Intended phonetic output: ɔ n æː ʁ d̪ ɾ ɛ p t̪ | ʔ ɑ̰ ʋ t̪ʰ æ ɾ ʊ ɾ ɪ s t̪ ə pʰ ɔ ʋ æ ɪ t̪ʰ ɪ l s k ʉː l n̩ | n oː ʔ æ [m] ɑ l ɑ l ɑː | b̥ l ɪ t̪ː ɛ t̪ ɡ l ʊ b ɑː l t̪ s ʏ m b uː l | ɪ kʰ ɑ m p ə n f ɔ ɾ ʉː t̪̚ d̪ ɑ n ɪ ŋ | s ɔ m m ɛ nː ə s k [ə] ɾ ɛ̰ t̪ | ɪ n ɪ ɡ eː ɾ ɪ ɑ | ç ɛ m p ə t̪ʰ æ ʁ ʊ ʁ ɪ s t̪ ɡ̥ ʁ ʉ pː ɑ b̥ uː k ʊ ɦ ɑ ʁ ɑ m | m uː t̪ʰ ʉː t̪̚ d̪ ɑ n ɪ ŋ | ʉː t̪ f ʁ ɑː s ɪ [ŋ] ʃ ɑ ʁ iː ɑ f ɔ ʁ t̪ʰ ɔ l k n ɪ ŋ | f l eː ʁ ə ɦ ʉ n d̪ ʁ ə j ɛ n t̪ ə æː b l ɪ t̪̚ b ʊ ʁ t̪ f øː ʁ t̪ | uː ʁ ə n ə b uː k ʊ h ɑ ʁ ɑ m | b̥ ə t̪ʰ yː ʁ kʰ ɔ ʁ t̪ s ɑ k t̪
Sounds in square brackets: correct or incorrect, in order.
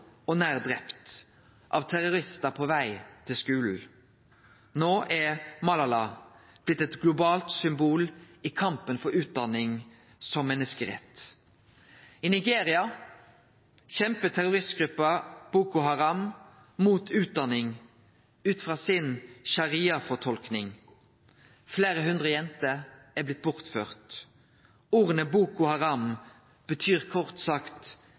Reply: correct, correct, incorrect: n

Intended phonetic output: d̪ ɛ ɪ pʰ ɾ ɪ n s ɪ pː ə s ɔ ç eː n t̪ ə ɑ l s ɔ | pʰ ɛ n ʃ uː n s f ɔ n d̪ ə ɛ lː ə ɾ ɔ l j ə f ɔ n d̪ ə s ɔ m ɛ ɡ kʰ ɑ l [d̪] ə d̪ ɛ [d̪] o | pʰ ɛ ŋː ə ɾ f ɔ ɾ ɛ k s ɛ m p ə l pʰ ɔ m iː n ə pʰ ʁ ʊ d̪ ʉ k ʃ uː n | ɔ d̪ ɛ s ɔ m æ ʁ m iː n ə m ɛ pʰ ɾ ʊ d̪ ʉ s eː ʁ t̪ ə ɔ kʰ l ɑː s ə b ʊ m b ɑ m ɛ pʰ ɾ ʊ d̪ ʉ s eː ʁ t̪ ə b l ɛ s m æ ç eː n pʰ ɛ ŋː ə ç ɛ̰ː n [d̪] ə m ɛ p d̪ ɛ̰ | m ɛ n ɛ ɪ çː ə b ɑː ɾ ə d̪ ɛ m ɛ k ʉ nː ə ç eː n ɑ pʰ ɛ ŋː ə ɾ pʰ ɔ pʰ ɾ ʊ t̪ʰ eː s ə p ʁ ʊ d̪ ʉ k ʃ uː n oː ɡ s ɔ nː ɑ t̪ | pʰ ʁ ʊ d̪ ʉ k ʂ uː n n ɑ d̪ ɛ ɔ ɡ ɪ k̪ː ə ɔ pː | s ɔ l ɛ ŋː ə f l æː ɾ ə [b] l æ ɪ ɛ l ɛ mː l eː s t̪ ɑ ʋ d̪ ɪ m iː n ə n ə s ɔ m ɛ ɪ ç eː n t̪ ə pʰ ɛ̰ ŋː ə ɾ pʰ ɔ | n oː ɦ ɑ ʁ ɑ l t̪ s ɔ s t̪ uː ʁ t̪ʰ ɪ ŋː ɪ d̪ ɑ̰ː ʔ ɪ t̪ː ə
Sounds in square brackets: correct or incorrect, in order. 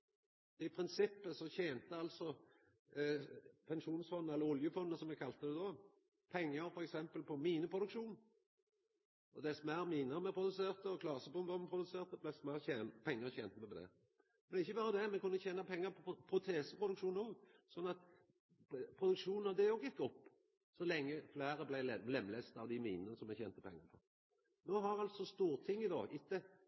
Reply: incorrect: t̪, correct, incorrect: t̪, correct

